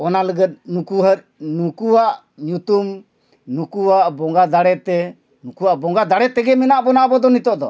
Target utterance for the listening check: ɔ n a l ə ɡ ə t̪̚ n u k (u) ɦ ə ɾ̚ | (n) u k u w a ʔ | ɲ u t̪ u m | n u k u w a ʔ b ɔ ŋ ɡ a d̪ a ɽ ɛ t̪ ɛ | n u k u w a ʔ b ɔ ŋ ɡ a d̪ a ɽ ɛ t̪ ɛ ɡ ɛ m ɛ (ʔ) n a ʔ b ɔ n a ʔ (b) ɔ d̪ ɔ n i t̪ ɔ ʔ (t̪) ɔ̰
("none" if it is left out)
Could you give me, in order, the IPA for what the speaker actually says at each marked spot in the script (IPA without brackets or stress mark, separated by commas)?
u, n, none, b, d̪